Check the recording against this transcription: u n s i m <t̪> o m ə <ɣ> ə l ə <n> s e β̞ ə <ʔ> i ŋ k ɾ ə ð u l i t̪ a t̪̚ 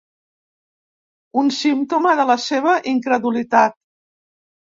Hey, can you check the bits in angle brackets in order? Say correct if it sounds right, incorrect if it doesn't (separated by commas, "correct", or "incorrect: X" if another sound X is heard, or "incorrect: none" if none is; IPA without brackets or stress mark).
correct, incorrect: ð, incorrect: none, correct